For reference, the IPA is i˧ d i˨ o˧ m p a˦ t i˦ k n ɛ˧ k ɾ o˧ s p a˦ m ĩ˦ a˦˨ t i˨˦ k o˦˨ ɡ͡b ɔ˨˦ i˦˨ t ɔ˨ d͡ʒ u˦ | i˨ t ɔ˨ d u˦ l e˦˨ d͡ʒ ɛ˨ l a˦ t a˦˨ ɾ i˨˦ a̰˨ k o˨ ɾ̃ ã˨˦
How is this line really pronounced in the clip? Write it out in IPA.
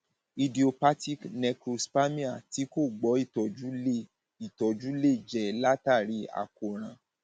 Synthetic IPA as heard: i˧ d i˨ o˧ p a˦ t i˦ k n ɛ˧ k ɾ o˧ s p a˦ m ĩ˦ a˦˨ t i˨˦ k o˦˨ ɡ͡b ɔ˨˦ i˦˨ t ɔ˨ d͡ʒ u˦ | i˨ t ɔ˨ d͡ʒ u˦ l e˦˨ d͡ʒ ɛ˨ l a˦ t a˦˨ ɾ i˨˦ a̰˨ k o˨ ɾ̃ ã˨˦